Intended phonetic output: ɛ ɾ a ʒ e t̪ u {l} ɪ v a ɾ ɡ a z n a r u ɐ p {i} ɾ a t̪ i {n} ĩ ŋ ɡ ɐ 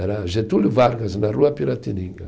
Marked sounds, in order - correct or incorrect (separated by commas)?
correct, correct, correct